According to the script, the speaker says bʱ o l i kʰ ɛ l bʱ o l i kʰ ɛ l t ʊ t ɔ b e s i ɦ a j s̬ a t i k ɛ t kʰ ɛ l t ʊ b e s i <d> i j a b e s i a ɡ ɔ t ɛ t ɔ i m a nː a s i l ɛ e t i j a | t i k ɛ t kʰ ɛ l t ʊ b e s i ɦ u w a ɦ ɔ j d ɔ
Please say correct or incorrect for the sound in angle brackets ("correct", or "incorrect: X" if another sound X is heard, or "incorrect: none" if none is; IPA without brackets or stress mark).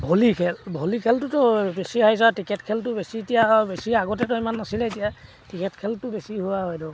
incorrect: t